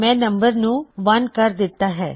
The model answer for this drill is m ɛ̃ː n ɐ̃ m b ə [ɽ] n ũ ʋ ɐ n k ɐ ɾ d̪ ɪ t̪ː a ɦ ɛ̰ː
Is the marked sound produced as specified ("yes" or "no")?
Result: no